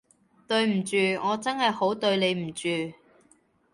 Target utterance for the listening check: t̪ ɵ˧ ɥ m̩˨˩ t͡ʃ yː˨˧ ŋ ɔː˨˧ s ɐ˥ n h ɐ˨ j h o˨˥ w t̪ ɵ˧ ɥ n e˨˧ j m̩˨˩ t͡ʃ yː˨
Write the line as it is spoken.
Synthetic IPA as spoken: t̪ ɵ˧ ɥ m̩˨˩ t͡ʃ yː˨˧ ŋ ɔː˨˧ t͡s ɐ˥ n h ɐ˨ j h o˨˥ w t̪ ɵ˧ ɥ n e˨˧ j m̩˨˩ t͡ʃ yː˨